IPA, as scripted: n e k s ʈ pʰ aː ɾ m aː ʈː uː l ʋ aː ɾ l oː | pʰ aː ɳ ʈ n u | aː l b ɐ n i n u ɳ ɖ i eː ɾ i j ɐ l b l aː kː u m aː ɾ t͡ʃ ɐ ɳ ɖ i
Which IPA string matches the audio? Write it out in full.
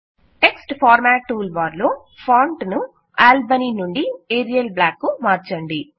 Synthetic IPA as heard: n e k s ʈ pʰ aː ɾ m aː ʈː uː l ʋ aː ɾ l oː | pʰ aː ɳ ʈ n u | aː l b ɐ n i n u ɳ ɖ i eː ɾ i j ɐ l b l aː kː u m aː ɾ t͡ʃ ɐ ɳ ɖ i